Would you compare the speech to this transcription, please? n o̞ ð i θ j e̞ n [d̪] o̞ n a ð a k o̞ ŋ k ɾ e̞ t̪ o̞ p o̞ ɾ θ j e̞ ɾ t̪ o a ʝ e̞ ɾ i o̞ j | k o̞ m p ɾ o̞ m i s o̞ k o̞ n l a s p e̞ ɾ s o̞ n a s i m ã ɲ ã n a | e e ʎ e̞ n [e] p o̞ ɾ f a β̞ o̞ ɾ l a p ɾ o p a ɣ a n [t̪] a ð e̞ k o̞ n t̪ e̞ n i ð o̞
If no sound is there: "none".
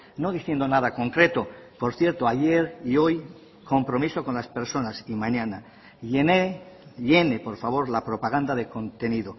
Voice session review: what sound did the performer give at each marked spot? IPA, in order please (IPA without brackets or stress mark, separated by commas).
d̪, e, d̪